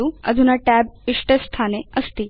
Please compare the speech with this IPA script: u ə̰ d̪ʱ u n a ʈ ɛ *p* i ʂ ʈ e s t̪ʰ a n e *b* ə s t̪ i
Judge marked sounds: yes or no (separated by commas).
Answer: no, no